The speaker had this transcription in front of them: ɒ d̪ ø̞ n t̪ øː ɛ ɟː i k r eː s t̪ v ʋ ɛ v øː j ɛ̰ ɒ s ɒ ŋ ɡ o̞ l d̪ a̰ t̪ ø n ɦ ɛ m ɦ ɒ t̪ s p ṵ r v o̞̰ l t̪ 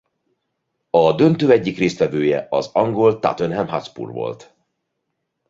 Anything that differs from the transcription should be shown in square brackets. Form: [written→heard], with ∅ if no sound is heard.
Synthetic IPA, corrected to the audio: ɒ d̪ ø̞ n t̪ øː ɛ ɟː i k r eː s t̪ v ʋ ɛ v øː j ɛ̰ ɒ [s→z] ɒ ŋ ɡ o̞ l [d̪→t̪] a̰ t̪ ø n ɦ ɛ m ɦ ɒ t̪ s p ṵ r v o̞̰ l t̪